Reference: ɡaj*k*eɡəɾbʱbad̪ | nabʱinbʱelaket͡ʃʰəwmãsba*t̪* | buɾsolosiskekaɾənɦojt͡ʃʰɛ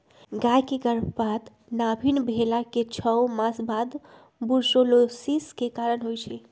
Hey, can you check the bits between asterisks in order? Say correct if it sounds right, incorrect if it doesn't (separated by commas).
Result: correct, incorrect